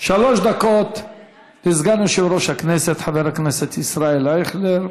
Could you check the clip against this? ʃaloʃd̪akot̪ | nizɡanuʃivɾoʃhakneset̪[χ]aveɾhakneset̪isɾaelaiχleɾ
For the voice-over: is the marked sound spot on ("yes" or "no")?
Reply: no